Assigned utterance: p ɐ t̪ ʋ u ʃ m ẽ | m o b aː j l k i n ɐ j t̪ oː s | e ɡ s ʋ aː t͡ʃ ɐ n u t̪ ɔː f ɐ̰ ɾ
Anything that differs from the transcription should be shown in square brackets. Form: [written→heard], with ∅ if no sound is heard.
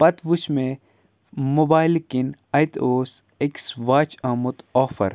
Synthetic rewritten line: p ɐ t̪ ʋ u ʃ m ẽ | m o b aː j l k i n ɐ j t̪ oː s | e [ɡ→k] s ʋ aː t͡ʃ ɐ [n→m] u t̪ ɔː f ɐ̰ ɾ